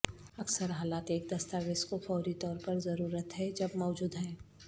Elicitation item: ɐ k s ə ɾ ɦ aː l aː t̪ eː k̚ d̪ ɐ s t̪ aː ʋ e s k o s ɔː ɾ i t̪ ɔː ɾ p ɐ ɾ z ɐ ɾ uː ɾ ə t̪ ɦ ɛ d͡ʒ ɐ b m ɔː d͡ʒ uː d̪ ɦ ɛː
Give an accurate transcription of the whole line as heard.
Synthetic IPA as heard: ɐ k s ə ɾ ɦ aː l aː t̪ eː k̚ d̪ ɐ s t̪ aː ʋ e s k o f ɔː ɾ i t̪ ɔː ɾ p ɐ ɾ z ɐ ɾ uː ɾ ə t̪ ɦ ɛ d͡ʒ ɐ b m ɔː d͡ʒ uː d̪ ɦ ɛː